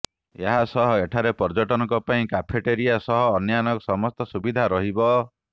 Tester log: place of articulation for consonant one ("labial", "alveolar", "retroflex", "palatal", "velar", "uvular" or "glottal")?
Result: glottal